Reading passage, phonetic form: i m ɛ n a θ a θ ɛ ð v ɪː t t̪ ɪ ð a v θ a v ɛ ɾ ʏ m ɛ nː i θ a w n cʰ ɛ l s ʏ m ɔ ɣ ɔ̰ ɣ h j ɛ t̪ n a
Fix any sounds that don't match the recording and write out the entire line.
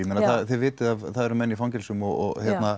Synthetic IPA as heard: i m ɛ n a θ a θ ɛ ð v ɪː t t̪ ɪ ð a v θ a ð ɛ ɾ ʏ m ɛ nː i f a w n c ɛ l s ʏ m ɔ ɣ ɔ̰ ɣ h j ɛ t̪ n a